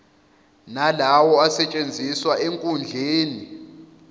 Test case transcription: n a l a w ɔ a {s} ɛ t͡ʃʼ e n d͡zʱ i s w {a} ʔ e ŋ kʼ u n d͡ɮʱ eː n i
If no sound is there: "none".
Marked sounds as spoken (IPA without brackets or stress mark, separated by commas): s, a